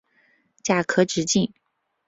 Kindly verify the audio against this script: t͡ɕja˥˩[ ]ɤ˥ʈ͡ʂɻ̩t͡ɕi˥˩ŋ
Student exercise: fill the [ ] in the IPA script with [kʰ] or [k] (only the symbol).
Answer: kʰ